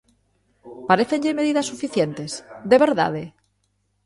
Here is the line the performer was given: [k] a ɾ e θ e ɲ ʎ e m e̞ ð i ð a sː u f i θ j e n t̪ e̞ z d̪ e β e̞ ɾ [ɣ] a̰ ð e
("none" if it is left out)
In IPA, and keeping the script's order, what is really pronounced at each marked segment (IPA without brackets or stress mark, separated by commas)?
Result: p, ð